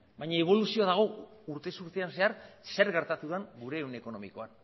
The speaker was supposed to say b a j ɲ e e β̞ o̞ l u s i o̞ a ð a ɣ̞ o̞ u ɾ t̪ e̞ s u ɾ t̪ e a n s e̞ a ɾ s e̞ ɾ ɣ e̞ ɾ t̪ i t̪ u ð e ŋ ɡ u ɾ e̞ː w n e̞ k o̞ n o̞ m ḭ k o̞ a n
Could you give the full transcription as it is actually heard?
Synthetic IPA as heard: b a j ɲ a e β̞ o̞ l u s i o̞ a ð a ɣ̞ o̞ u ɾ t̪ e̞ s u ɾ t̪ e a n s e̞ a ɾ s e̞ ɾ ɣ e̞ ɾ t̪ a t̪ u ð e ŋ ɡ u ɾ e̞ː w n e̞ k o̞ n o̞ m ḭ k o̞ a n